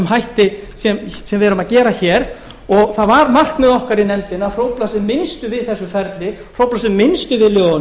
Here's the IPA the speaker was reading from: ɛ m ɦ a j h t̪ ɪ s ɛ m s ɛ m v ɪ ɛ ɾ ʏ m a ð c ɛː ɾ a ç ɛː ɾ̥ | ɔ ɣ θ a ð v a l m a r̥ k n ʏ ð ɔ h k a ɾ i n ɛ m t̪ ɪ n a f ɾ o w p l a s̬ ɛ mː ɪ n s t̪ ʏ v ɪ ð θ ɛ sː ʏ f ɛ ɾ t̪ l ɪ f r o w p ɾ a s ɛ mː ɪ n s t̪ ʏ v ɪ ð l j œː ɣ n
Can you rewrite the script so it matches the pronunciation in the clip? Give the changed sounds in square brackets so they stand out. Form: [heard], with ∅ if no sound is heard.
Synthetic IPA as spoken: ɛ m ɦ a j h t̪ ɪ s ɛ m s ɛ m v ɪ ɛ ɾ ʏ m a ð c ɛː ɾ a ç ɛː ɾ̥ | ɔ ɣ θ a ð v a [ɾ] m a r̥ k n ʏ ð ɔ h k a ɾ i n ɛ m t̪ ɪ n a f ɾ o w p l a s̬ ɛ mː ɪ n s t̪ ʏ v ɪ ð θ ɛ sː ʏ f ɛ ɾ t̪ l ɪ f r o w p [l] a s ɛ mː ɪ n s t̪ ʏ v ɪ ð l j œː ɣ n

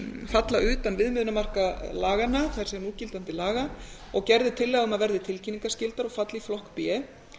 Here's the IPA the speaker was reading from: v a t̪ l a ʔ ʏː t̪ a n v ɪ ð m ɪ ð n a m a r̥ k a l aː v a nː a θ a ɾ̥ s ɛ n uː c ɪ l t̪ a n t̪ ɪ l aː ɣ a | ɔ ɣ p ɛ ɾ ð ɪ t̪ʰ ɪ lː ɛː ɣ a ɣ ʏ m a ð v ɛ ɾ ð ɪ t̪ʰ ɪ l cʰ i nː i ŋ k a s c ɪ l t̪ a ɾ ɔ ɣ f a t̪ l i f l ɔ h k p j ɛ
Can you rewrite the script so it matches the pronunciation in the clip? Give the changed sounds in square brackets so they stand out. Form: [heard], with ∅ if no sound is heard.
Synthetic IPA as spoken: [f] a t̪ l a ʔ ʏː t̪ a n v ɪ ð m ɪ ð n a m a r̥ k a l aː [ɣ] a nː a θ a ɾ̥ s ɛ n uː c ɪ l t̪ a n t̪ ɪ l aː ɣ a | ɔ ɣ [c] ɛ ɾ ð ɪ t̪ʰ ɪ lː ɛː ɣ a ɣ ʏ m a ð v ɛ ɾ ð ɪ t̪ʰ ɪ l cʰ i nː i ŋ k a s c ɪ l t̪ a ɾ ɔ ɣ f a t̪ l i f l ɔ h k p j ɛ

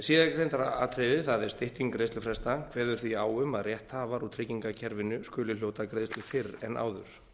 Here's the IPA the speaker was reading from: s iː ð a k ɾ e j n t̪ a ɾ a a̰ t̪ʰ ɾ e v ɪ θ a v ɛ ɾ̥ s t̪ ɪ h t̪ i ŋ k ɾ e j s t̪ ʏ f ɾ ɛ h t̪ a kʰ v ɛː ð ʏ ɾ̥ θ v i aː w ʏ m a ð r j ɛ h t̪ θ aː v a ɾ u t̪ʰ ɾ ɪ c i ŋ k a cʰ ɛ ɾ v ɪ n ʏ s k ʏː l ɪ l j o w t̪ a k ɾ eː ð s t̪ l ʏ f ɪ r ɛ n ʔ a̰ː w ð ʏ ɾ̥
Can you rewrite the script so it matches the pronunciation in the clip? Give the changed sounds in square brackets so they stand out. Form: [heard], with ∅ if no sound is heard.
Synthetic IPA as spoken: s iː ð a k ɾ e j n t̪ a ɾ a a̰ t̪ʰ ɾ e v ɪ θ a [ð] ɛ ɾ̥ s t̪ ɪ h t̪ i ŋ k ɾ e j s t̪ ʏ f ɾ ɛ [s] t̪ a kʰ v ɛː ð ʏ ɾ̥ θ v i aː w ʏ m a ð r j ɛ h t̪ [h] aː v a ɾ u t̪ʰ ɾ ɪ c i ŋ k a cʰ ɛ ɾ v ɪ n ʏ s k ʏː l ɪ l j o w t̪ a k ɾ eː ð s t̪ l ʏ f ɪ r ɛ n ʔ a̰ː w ð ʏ ɾ̥

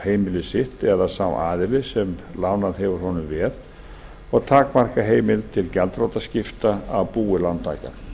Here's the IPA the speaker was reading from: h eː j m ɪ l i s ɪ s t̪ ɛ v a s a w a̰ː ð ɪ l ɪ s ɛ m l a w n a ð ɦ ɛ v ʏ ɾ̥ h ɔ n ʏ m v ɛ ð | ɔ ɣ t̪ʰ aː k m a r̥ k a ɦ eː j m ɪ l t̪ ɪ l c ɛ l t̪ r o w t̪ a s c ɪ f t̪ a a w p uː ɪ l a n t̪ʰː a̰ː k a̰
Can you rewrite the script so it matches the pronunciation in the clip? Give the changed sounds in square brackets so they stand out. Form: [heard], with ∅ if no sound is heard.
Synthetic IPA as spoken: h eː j m ɪ l [ɪ] s ɪ [h] t̪ ɛ [ð] a s a w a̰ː ð ɪ l ɪ s ɛ m l a w n a ð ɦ ɛ v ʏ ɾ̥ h ɔ n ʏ m v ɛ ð | ɔ ɣ t̪ʰ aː k m a r̥ k a ɦ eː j m ɪ l [t̪ʰ] ɪ l c ɛ l t̪ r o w t̪ a s c ɪ f t̪ a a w p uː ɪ l a n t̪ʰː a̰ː k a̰

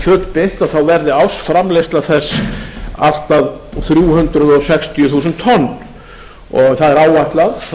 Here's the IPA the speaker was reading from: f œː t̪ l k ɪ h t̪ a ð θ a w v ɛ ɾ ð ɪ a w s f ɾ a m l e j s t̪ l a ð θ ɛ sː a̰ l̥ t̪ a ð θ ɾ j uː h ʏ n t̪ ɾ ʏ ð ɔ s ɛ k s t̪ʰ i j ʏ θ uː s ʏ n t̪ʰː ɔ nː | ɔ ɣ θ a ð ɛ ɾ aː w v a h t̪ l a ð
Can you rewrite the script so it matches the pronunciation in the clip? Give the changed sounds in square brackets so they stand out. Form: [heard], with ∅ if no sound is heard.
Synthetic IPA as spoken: f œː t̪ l [p] ɪ h t̪ a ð θ a w v ɛ ɾ ð ɪ a w s f ɾ a m l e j s t̪ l a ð θ ɛ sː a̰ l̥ t̪ a ð θ ɾ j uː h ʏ n t̪ ɾ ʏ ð ɔ s ɛ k s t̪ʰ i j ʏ θ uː s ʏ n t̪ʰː ɔ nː | ɔ ɣ θ a ð ɛ ɾ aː w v a h t̪ l a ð

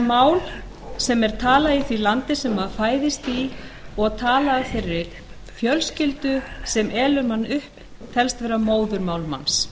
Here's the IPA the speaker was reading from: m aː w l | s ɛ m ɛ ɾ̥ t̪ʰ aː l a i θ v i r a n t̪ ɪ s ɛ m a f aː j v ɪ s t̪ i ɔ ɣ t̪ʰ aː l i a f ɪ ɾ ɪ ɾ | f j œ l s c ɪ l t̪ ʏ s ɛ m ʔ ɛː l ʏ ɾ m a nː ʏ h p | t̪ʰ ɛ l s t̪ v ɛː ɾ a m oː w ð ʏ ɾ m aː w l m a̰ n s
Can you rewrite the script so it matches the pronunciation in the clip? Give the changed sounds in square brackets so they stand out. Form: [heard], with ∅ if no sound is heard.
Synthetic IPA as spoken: m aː w l | s ɛ m ɛ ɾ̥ t̪ʰ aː l a i θ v i [l] a n t̪ ɪ s ɛ m a f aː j [ð] ɪ s t̪ i ɔ ɣ t̪ʰ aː l [a] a f ɪ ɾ ɪ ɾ | f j œ l s c ɪ l t̪ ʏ s ɛ m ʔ ɛː l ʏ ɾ m a nː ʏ h p | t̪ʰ ɛ l s t̪ v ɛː ɾ a m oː w ð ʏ ɾ m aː w l m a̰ n s

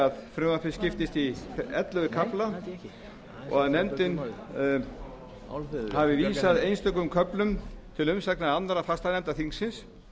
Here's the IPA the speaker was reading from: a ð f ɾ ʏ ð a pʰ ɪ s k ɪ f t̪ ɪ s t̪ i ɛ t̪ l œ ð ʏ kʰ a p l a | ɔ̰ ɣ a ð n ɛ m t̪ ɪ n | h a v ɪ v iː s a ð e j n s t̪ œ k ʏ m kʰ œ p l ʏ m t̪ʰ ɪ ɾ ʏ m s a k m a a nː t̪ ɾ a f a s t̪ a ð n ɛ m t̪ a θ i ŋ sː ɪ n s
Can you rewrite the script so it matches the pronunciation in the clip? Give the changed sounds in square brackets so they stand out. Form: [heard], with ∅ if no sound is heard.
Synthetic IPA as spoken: a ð f ɾ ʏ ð a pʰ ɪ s [c] ɪ f t̪ ɪ s t̪ i ɛ t̪ l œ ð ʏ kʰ a p l a | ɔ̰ ɣ a ð n ɛ m t̪ ɪ n | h a v ɪ v iː s a ð e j n s t̪ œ k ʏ m kʰ œ p l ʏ m t̪ʰ ɪ [l] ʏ m s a k [n] a a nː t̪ ɾ a f a s t̪ a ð n ɛ m t̪ a θ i ŋ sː ɪ n s

